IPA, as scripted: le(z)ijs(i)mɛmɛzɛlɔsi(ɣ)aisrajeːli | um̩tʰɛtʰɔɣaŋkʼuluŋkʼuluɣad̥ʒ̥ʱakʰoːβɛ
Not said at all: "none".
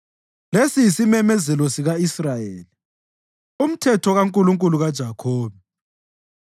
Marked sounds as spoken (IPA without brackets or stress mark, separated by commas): s, i, ɣ